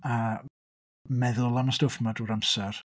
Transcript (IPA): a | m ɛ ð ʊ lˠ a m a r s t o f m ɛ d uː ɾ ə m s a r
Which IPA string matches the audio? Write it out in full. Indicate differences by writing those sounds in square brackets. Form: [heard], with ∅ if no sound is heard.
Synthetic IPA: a | m ɛ ð ʊ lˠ a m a [∅] s t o f m [a] d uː ɾ [a] m s [ɛ] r